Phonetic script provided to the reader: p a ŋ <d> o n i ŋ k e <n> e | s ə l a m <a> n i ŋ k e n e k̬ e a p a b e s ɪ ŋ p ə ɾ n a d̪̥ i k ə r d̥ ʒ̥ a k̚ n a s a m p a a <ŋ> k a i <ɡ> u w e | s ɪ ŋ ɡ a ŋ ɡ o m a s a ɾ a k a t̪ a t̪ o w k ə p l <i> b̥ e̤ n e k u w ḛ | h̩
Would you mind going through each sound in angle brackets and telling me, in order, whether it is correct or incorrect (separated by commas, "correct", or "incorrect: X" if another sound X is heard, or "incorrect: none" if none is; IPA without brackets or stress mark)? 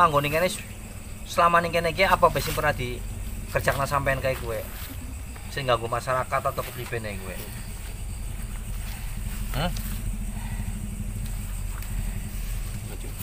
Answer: incorrect: ɡ, correct, correct, incorrect: n, incorrect: k, correct